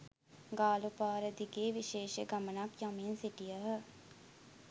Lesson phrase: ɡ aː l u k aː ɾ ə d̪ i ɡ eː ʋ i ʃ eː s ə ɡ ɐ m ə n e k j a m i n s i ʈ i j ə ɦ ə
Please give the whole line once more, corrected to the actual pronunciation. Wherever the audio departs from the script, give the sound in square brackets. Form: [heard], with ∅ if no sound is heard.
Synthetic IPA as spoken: ɡ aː l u [p] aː ɾ ə d̪ i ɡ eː ʋ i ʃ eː [ʃ] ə ɡ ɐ m ə n [a] k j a m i n s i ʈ i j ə ɦ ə